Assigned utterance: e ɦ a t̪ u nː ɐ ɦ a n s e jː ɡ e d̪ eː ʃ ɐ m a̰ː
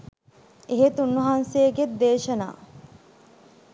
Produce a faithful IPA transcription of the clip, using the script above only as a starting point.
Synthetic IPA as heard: e ɦ e t̪ u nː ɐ ɦ a n s e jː ɡ e d̪ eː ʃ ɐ n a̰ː